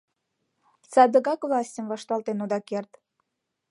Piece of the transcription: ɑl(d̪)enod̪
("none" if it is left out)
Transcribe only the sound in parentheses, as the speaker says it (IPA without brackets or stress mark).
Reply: t̪